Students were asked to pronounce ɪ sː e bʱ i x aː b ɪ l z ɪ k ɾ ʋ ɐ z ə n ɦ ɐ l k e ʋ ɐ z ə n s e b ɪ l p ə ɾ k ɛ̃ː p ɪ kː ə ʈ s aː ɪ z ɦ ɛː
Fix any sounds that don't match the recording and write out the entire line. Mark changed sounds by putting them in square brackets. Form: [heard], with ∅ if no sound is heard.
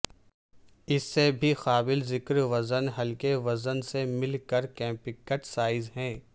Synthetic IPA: ɪ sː e bʱ i x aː b ɪ l z ɪ k ɾ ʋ ɐ z ə n ɦ ɐ l k e ʋ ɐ z ə n s e [m] ɪ l [k] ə ɾ k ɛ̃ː p ɪ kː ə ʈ s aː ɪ z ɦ [ɛ̃ː]